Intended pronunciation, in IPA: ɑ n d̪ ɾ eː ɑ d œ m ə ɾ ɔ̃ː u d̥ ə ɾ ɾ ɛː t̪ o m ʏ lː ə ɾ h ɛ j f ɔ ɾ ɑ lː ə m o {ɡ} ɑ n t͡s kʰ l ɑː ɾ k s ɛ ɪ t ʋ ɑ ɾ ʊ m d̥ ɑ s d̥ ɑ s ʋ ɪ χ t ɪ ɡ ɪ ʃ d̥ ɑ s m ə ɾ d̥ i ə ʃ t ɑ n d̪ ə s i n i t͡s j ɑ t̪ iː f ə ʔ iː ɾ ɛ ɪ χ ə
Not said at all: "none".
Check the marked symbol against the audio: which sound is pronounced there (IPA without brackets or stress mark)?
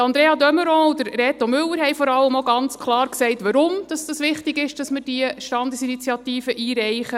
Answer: ɡ